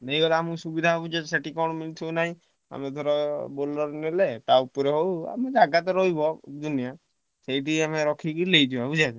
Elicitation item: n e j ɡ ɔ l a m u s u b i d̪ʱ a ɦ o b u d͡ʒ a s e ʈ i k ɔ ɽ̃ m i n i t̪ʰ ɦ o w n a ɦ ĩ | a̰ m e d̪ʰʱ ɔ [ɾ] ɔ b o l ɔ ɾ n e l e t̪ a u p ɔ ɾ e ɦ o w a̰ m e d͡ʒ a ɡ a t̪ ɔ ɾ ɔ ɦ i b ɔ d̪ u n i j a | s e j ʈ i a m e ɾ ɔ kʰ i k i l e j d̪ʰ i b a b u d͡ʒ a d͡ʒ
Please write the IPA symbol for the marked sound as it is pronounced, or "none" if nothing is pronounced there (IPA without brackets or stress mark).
ɾ